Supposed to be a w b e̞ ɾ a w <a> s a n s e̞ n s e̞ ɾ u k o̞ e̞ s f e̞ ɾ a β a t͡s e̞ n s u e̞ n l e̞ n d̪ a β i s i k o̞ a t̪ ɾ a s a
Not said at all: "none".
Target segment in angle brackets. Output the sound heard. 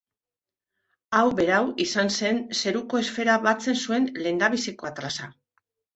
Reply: i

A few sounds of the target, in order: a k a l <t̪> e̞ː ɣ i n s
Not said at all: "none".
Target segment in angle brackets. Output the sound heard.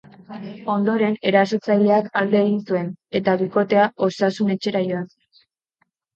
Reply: d̪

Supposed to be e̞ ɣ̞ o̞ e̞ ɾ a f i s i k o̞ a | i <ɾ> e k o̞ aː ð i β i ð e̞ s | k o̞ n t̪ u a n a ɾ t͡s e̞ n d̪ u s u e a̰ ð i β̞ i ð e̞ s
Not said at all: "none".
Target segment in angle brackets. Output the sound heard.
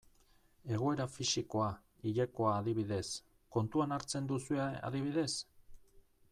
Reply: ʎ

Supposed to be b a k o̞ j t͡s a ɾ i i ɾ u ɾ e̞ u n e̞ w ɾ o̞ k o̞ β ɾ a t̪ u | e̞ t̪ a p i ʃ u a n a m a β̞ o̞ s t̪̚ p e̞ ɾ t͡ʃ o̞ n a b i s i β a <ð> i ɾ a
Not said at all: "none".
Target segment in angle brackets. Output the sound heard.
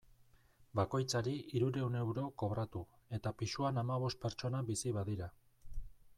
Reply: ð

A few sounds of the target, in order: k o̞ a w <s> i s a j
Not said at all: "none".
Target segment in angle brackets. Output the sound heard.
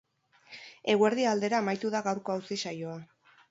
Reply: s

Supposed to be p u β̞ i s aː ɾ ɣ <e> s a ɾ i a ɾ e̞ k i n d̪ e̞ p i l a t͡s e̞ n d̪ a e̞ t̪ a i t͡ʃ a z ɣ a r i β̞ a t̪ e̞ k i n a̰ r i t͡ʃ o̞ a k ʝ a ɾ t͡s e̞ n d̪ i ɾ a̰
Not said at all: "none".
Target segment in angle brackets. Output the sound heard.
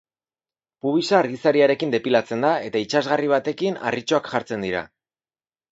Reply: i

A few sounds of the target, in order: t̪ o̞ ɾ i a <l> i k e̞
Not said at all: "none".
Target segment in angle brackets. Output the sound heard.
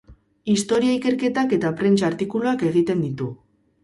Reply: none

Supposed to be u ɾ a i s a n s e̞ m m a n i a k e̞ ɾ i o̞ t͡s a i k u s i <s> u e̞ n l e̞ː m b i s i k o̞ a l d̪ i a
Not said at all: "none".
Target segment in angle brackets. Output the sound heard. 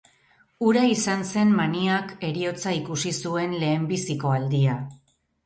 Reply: s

